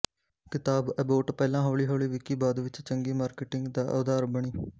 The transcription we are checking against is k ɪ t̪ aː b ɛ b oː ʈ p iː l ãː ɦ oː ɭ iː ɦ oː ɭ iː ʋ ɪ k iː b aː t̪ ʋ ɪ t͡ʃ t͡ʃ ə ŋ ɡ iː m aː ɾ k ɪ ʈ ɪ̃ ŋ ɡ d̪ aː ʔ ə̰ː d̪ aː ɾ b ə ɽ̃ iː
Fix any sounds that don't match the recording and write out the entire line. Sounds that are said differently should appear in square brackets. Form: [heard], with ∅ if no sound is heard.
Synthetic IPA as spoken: k ɪ t̪ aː b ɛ b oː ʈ p [ɛː] l ãː ɦ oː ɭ iː ɦ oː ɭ iː ʋ ɪ k iː b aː [d̪] ʋ ɪ t͡ʃ t͡ʃ ə ŋ ɡ iː m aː ɾ k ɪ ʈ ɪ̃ ŋ ɡ d̪ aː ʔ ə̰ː d̪ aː ɾ b ə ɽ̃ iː

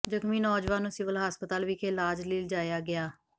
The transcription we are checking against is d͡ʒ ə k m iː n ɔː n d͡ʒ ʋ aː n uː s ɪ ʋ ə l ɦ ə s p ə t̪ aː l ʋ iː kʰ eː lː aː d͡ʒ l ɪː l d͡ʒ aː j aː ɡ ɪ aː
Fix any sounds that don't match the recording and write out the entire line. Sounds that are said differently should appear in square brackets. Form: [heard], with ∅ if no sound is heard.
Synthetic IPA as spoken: d͡ʒ ə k m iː n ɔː [∅] d͡ʒ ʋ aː n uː s ɪ ʋ ə l ɦ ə s p ə t̪ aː l ʋ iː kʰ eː [l] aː d͡ʒ l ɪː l d͡ʒ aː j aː ɡ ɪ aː

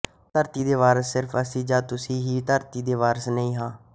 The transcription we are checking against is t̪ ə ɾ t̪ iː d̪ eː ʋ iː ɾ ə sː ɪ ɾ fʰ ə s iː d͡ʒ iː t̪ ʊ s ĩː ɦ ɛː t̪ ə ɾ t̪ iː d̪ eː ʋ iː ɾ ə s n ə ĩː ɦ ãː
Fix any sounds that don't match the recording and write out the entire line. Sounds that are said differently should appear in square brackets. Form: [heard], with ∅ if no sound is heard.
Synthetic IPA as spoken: t̪ ə ɾ t̪ iː d̪ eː ʋ [aː] ɾ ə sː ɪ ɾ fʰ ə s iː d͡ʒ [aː] t̪ ʊ s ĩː ɦ [iː] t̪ ə ɾ t̪ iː d̪ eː ʋ [aː] ɾ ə s n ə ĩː ɦ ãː

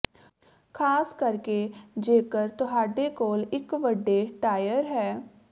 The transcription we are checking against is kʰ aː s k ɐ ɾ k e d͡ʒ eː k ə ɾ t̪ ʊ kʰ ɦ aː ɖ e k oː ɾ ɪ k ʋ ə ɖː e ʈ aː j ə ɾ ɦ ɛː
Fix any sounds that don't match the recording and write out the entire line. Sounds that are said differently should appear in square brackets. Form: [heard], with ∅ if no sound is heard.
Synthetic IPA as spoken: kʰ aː s k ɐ ɾ k e d͡ʒ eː k ə ɾ t̪ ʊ [∅] ɦ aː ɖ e k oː [l] ɪ k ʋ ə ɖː e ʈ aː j ə ɾ ɦ ɛː

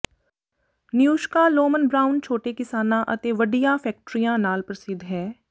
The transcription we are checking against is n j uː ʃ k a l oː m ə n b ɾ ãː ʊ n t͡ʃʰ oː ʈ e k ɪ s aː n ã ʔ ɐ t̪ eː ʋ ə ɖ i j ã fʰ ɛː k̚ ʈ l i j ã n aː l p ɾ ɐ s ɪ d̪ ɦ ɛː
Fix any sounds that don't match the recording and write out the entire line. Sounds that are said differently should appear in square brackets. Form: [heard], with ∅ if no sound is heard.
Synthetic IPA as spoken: n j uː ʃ k a l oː m ə n b ɾ [aː] ʊ n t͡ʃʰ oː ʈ e k ɪ s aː n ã ʔ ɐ t̪ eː ʋ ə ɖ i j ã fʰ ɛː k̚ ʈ [ɾ] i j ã n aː l p ɾ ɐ s ɪ d̪ ɦ ɛː

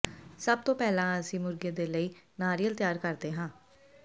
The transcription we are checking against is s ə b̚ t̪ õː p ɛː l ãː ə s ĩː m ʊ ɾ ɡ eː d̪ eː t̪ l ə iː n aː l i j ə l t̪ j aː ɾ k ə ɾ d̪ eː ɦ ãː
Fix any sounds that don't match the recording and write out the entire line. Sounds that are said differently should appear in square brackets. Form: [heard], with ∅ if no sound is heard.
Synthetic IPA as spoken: s ə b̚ t̪ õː p ɛː l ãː ə s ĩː m ʊ ɾ ɡ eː d̪ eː [∅] l ə iː n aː [ɾ] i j ə l t̪ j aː ɾ k ə ɾ d̪ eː ɦ ãː

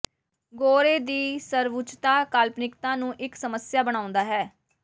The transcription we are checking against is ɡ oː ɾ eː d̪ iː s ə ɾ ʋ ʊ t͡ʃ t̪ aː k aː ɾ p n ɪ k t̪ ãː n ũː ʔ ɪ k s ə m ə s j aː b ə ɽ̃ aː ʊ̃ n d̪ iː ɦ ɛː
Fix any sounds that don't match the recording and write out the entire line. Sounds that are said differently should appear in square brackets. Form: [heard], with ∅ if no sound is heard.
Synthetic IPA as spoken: ɡ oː ɾ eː d̪ iː s ə ɾ ʋ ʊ t͡ʃ t̪ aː k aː [l] p n ɪ k t̪ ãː n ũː ʔ ɪ k s ə m ə s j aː b ə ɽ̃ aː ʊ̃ n d̪ [aː] ɦ ɛː

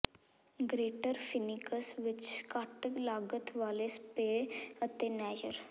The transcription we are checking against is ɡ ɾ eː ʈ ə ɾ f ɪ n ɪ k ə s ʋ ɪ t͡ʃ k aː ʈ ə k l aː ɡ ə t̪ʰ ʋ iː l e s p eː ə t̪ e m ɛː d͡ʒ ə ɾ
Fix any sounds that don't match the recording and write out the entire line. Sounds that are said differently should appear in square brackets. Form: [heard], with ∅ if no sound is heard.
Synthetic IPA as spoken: ɡ ɾ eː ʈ ə ɾ f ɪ n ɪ k ə s ʋ ɪ t͡ʃ k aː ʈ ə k l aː ɡ ə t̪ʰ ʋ [aː] l e s p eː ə t̪ e [n] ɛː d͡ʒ ə ɾ

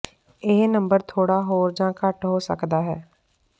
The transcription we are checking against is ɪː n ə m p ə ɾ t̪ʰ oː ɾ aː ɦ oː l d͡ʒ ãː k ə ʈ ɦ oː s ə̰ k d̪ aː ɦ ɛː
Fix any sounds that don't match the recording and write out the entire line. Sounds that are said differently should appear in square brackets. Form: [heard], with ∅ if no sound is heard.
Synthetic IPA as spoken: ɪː n ə m [b] ə ɾ t̪ʰ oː [ɽ] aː ɦ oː [ɾ] d͡ʒ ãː k ə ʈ ɦ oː s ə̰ k d̪ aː ɦ ɛː

